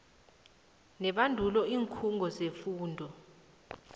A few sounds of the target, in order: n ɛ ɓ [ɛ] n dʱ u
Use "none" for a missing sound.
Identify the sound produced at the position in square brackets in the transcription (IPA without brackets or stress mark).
a